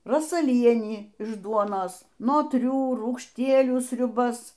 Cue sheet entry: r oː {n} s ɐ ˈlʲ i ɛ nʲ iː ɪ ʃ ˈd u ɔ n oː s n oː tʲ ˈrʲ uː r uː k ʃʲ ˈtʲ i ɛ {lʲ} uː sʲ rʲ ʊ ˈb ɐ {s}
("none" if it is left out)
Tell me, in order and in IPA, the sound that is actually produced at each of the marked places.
none, lʲ, s

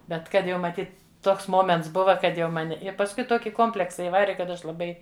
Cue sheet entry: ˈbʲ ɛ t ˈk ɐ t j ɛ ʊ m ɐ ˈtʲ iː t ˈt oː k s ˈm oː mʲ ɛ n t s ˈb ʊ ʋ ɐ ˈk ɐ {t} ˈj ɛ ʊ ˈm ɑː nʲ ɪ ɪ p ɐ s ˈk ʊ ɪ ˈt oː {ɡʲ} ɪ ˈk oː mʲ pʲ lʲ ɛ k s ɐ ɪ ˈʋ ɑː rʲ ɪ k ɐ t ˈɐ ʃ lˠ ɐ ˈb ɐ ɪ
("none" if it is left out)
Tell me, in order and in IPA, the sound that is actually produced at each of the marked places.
t, kʲ

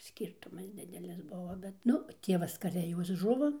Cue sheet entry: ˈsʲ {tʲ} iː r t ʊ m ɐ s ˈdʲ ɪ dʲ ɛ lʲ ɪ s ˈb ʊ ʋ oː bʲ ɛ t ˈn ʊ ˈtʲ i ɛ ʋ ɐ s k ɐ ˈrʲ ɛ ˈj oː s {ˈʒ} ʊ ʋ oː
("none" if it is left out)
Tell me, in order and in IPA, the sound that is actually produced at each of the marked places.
kʲ, ʒ

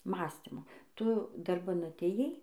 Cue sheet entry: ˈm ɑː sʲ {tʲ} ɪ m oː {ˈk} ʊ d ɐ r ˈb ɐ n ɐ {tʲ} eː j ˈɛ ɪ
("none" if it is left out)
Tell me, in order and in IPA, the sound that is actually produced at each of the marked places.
tʲ, t, tʲ

